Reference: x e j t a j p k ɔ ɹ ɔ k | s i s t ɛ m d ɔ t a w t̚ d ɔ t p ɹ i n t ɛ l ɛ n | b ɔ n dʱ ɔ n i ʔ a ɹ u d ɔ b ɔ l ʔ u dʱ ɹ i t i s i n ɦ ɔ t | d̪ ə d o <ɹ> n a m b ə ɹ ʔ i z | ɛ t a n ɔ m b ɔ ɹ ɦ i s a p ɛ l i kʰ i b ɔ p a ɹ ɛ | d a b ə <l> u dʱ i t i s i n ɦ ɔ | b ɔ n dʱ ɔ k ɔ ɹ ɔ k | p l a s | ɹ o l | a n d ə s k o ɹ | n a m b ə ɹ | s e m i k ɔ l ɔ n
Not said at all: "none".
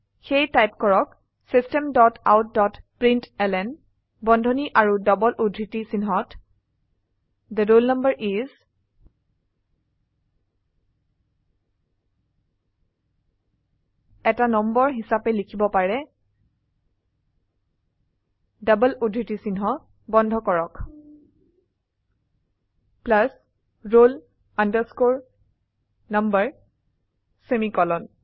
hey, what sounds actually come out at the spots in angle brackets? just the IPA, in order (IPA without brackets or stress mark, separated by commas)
l, l